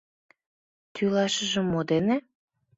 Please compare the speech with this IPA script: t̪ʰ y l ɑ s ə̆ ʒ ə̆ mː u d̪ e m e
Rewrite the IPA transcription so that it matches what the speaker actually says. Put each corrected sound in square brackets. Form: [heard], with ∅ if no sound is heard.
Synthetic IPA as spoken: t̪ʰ y l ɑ [ʃ] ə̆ ʒ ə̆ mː [o] d̪ e [n] e